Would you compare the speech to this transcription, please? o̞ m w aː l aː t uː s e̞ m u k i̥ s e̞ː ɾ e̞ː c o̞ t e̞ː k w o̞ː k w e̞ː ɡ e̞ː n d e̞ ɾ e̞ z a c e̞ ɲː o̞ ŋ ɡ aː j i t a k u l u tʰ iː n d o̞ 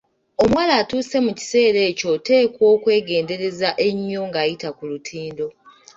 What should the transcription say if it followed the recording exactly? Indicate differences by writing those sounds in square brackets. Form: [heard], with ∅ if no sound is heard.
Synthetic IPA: o̞ m w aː l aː t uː s e̞ m u [c] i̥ s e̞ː ɾ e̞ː c o̞ t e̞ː k w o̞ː k w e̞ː ɡ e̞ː n d e̞ ɾ e̞ z a [ʔ] e̞ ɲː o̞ ŋ ɡ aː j i t a k u l u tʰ iː n d o̞